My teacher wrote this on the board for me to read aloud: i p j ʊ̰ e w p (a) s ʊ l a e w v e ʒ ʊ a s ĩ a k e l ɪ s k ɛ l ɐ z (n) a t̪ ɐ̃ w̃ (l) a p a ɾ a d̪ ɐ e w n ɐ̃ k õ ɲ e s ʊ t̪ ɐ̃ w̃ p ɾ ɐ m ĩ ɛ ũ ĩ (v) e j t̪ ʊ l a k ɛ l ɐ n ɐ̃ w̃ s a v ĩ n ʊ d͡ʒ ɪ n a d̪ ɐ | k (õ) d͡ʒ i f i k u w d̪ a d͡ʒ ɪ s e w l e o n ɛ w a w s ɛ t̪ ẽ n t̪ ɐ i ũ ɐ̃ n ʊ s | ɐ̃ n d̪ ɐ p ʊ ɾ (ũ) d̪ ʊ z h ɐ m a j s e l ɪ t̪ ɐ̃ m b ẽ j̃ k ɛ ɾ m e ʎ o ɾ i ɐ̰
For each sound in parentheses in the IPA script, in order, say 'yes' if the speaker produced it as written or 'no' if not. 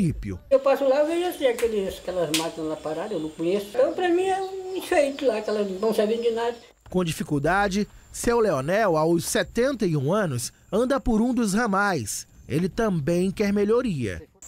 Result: yes, no, yes, no, yes, yes

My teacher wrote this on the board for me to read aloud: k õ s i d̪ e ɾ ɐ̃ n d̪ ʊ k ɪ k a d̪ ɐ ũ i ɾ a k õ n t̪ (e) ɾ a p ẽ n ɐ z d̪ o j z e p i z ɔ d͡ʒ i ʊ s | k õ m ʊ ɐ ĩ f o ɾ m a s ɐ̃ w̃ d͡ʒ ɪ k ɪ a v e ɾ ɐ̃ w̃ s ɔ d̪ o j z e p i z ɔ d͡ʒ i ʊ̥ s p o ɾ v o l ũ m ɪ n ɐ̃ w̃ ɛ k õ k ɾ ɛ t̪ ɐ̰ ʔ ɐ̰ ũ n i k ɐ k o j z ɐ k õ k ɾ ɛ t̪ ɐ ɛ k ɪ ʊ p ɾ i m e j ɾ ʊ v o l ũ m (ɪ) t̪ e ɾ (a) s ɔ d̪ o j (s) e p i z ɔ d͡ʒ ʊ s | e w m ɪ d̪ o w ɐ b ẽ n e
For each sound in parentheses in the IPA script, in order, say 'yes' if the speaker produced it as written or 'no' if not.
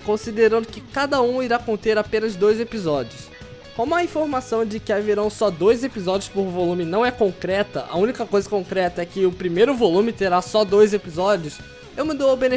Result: yes, yes, yes, no

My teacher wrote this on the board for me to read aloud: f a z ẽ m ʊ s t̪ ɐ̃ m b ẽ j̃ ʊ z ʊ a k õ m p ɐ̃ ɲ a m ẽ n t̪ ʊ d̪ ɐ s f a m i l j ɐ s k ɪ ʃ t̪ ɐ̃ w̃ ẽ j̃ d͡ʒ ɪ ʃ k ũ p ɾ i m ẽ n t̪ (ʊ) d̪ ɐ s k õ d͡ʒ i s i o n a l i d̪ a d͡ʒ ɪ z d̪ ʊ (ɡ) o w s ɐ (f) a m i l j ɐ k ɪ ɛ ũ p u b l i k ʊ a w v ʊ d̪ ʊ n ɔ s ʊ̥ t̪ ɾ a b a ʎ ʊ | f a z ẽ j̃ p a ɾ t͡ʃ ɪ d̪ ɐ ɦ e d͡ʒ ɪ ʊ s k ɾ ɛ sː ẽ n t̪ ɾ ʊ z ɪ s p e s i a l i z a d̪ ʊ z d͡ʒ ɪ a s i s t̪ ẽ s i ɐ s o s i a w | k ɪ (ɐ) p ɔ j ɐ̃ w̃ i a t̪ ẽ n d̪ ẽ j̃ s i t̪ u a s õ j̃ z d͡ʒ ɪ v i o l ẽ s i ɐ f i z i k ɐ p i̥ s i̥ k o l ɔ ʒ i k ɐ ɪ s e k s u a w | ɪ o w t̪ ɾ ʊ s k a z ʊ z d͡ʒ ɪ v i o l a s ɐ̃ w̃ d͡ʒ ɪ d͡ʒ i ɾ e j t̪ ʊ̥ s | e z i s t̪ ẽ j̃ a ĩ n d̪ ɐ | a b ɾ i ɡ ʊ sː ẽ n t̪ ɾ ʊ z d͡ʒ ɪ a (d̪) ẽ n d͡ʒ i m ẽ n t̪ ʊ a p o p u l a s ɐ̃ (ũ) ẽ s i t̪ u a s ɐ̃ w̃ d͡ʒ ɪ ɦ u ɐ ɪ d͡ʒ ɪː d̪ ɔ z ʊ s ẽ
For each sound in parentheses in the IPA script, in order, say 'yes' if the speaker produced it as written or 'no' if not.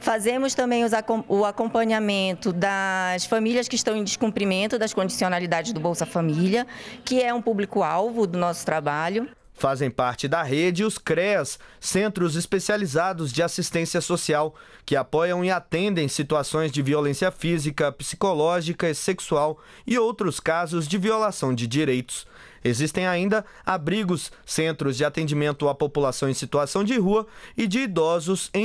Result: yes, no, yes, no, no, no

